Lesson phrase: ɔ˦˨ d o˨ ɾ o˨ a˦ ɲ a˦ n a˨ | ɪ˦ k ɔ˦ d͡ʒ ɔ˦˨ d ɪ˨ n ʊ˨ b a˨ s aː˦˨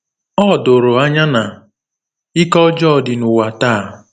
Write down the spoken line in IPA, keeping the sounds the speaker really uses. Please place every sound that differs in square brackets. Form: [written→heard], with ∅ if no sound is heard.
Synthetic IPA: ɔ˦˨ d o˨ ɾ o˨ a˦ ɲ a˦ n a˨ | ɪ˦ k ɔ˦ d͡ʒ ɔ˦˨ d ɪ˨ n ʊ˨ [b→w] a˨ [s→t] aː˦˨